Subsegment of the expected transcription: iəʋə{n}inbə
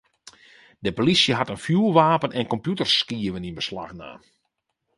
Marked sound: correct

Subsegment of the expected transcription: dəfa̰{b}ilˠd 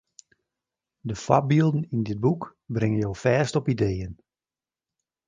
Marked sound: correct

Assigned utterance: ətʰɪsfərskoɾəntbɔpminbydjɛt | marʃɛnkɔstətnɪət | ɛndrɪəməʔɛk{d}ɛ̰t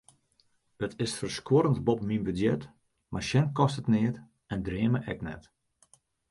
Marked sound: incorrect: n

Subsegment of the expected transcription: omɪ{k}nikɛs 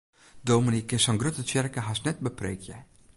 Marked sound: incorrect: none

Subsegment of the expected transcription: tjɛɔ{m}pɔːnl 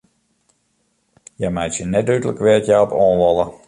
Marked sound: incorrect: none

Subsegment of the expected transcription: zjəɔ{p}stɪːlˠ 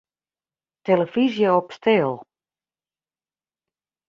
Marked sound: correct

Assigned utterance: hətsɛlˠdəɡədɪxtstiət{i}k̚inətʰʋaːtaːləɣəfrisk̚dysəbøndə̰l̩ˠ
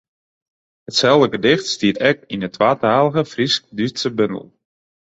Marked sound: incorrect: ɛ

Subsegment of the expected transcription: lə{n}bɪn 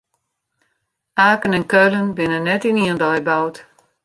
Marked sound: correct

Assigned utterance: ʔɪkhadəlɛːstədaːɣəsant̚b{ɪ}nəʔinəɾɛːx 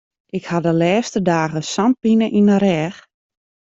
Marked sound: incorrect: i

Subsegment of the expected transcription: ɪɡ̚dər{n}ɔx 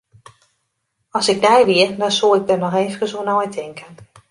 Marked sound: correct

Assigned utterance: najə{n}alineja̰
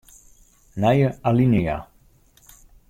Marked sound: incorrect: none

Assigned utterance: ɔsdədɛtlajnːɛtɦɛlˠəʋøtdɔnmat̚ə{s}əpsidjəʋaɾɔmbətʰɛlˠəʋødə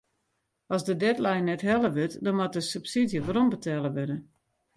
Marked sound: correct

